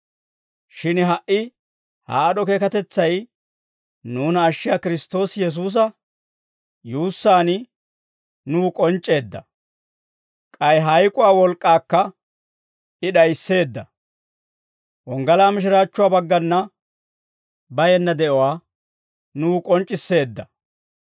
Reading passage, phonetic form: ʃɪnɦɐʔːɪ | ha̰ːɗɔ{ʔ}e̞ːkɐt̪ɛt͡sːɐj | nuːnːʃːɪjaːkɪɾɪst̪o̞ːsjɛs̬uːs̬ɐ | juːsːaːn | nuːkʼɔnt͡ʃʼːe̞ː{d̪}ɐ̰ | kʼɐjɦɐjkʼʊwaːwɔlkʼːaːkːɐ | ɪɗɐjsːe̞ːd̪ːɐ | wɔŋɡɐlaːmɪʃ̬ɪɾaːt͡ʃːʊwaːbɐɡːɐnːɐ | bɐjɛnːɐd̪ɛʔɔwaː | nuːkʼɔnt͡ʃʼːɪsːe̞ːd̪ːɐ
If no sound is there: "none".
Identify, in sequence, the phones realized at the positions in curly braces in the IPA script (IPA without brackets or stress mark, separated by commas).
k, d̪ː